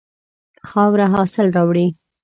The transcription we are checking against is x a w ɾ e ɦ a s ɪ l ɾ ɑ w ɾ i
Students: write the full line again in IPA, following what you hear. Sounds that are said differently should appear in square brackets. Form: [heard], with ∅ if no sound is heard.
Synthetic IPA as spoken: x [ɑ] w ɾ [a] ɦ [ɑ] s ɪ l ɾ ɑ w [ɽ] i